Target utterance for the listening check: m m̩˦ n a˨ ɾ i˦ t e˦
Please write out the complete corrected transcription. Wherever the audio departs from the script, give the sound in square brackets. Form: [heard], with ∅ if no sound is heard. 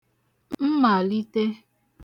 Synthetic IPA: m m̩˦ [m] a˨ [l] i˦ t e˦